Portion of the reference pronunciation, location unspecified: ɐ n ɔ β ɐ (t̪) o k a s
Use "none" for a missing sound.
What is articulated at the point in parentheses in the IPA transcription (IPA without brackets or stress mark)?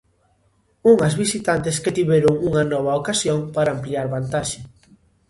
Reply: none